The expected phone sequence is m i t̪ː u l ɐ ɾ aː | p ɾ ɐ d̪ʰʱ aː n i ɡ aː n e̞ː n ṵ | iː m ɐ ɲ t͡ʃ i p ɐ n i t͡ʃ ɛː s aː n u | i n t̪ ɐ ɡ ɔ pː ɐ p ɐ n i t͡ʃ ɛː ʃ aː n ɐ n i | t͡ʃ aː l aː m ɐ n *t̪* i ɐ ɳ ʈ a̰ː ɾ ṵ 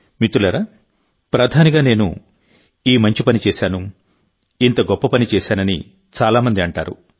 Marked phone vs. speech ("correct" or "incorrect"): incorrect